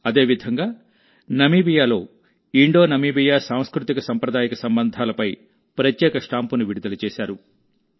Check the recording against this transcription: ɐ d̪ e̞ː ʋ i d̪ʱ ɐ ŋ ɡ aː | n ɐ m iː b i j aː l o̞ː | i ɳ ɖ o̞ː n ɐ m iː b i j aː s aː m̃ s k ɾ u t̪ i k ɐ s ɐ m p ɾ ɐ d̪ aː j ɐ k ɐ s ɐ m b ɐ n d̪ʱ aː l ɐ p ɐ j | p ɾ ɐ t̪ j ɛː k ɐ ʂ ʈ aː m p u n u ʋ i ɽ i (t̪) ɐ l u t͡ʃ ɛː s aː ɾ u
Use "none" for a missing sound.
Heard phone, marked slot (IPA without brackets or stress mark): d̪